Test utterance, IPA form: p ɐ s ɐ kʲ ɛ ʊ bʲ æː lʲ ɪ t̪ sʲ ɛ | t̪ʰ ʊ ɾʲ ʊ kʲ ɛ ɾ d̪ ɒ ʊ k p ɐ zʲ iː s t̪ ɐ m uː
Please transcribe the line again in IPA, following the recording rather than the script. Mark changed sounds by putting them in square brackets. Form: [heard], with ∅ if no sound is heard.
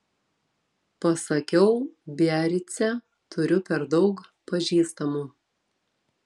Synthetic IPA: p ɐ s ɐ kʲ ɛ ʊ bʲ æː [ɾʲ] ɪ t̪ sʲ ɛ | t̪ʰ ʊ ɾʲ ʊ [pʲ] ɛ ɾ d̪ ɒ ʊ k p ɐ [ʒʲ] iː s t̪ ɐ m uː